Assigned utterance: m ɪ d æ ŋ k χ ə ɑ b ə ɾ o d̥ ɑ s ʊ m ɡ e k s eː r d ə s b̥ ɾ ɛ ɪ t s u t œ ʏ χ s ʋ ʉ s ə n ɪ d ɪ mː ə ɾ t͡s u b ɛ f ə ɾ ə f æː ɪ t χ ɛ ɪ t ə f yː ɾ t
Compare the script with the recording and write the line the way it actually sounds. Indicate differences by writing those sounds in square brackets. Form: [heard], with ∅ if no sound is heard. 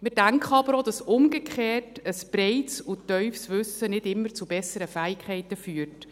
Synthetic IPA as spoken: m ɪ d æ ŋ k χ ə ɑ b ə ɾ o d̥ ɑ s ʊ m ɡ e k [χ] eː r [t] ə s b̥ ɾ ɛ ɪ t s u t œ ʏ [f] s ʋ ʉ s ə n ɪ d ɪ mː ə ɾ t͡s u b ɛ [s] ə ɾ ə f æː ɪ [k] χ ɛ ɪ t ə f yː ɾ t